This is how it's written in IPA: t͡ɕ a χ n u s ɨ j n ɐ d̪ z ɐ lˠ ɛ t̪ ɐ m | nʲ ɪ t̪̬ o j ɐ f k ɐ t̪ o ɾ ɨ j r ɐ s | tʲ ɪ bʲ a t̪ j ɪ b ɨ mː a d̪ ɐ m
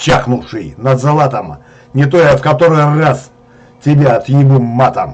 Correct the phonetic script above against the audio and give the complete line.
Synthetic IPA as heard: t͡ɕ a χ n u ʂ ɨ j n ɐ d̪ z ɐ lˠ a t̪ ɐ m | nʲ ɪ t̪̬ o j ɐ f k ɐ t̪ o ɾ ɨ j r a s | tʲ ɪ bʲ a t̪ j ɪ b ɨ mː a t̪ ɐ m